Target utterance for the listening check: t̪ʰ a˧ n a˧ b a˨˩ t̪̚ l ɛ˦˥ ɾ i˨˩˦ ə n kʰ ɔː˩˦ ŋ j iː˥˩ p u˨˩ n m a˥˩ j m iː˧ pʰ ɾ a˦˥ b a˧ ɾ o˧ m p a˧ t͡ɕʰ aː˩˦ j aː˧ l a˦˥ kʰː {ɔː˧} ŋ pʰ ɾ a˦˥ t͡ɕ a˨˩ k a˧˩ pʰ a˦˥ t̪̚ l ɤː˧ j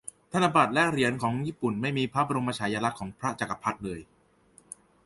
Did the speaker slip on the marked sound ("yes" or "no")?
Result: yes